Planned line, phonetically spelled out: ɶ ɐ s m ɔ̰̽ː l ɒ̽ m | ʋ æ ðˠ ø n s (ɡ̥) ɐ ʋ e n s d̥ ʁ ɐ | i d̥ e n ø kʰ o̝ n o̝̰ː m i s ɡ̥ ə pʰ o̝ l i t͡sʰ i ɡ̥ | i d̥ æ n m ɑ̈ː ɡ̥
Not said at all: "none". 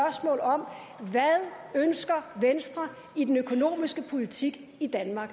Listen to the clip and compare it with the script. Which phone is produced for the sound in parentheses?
ɡ̥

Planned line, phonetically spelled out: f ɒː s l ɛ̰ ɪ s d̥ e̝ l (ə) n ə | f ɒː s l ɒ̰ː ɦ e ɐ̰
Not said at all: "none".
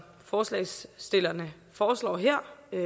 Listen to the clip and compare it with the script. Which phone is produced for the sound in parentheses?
ɐ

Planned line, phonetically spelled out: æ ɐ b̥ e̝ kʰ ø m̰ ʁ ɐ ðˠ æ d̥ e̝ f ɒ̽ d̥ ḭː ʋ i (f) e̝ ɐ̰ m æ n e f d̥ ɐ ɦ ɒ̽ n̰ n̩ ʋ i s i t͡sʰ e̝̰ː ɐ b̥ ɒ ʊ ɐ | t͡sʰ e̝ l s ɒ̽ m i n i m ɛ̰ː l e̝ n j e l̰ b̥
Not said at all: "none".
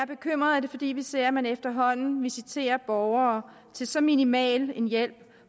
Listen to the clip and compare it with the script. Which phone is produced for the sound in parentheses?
s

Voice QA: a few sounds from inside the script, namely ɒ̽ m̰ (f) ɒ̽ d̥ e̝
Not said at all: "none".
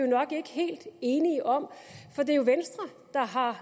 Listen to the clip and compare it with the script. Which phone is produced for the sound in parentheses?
f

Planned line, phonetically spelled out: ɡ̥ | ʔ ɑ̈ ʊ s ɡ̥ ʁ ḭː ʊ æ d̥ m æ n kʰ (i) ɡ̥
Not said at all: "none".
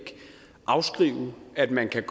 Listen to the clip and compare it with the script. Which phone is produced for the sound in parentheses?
æ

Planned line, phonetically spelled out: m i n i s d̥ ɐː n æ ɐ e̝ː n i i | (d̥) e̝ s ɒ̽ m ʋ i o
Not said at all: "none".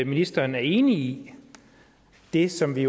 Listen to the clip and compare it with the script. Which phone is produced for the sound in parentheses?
d̥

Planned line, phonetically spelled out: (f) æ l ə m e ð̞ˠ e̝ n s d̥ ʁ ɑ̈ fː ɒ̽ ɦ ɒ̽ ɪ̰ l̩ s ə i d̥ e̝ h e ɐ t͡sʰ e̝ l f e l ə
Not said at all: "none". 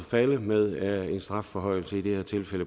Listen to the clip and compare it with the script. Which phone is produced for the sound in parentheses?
f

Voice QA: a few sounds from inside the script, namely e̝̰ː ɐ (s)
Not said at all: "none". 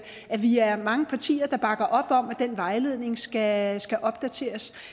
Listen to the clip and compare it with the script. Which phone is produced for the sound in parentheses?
s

